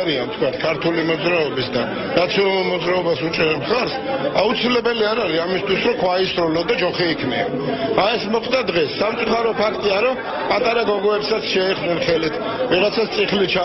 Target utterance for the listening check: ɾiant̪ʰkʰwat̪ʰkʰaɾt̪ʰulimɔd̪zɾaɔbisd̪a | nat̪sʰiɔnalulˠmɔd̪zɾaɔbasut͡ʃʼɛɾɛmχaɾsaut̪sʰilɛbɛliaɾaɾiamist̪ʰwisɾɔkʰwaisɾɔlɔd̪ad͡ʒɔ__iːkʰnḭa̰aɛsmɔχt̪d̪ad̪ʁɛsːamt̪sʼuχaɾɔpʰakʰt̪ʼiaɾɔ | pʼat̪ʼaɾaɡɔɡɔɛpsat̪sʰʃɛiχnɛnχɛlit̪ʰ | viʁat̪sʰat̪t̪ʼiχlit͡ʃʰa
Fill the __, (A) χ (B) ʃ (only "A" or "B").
A